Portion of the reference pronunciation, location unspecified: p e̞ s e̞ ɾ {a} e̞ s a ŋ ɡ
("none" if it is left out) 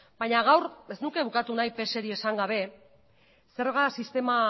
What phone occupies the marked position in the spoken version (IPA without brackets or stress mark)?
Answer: i